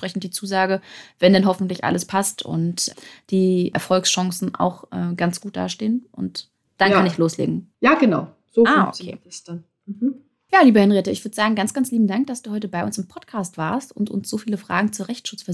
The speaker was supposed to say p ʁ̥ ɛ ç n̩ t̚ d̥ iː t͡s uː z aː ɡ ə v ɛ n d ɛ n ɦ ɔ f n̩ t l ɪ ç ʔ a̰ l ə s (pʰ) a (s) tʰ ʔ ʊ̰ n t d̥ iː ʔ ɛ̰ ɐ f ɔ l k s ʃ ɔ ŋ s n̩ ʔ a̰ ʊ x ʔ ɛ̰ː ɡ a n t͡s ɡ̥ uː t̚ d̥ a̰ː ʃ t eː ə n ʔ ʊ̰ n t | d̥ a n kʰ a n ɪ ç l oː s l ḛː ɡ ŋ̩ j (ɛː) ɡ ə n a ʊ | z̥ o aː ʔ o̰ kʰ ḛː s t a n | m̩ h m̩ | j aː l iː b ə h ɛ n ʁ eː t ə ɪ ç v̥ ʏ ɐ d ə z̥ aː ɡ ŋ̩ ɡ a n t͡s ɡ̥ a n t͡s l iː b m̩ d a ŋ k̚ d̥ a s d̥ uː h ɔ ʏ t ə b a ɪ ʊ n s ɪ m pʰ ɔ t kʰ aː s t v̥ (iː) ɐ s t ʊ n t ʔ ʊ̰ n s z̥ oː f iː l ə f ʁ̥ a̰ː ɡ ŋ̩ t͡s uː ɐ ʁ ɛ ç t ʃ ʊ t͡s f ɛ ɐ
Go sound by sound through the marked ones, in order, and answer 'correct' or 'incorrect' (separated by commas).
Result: correct, correct, incorrect, incorrect